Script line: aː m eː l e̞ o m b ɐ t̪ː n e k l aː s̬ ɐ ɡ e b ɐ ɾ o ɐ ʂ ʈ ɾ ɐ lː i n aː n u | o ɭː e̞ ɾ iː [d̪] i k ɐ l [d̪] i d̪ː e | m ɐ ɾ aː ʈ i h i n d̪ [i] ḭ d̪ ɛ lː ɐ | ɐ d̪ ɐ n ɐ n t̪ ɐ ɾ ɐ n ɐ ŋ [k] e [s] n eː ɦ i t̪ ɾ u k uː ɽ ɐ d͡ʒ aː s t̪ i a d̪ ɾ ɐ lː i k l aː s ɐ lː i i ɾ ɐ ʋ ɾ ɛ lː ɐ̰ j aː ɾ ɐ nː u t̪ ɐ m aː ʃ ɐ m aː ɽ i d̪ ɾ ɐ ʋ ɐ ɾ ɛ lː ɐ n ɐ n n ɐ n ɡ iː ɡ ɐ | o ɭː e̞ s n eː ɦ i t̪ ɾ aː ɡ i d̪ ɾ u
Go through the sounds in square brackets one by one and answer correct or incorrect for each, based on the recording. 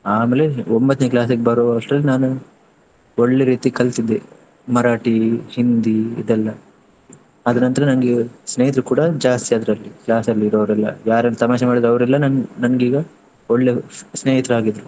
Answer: incorrect: t̪, incorrect: t̪, correct, incorrect: ɡ, correct

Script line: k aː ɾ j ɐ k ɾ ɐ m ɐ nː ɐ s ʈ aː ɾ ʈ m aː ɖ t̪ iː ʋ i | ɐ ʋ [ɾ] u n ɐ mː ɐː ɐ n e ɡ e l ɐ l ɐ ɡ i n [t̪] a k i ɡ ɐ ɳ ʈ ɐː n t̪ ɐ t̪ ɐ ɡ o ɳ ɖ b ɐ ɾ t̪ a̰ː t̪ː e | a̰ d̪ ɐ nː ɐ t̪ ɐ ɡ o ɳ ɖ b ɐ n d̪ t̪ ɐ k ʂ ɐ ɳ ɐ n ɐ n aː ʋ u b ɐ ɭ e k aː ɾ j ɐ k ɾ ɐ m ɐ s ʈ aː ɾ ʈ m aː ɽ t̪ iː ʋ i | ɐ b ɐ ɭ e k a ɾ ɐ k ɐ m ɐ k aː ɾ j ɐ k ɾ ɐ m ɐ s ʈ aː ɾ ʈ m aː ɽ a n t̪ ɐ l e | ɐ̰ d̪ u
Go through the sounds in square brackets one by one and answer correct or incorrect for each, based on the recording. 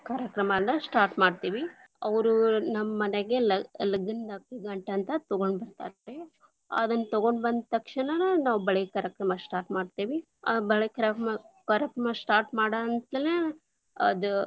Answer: correct, incorrect: d̪

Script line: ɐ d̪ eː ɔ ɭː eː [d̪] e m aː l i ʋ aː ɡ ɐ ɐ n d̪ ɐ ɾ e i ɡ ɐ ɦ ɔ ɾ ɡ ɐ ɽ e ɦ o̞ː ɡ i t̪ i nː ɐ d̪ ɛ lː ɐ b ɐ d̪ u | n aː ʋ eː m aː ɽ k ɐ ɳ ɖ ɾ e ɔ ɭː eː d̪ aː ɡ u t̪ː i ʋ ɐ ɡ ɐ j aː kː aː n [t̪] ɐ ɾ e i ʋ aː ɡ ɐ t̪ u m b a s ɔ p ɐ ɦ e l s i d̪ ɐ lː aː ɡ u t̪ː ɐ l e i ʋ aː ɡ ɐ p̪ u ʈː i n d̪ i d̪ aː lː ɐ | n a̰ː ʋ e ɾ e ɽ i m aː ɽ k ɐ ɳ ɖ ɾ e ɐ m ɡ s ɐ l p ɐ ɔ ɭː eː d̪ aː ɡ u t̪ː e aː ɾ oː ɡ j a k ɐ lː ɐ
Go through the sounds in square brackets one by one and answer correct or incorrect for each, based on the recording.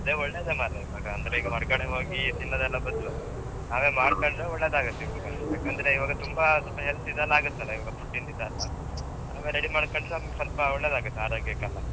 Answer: correct, incorrect: d̪

